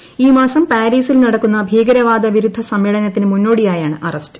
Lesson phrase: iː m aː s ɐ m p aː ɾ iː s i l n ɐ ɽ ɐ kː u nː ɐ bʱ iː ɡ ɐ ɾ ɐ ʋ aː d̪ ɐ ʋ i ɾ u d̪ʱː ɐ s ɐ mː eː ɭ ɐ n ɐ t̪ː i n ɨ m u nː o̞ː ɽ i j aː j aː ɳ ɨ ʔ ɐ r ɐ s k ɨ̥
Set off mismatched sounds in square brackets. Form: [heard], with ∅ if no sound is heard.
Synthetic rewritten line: iː m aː s ɐ m p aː ɾ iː s i l n ɐ ɽ ɐ kː u nː ɐ bʱ iː ɡ ɐ ɾ ɐ ʋ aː d̪ ɐ ʋ i ɾ u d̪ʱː ɐ s ɐ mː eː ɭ ɐ n ɐ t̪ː i n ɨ m u nː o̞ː ɽ i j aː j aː ɳ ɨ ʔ ɐ r ɐ s [t] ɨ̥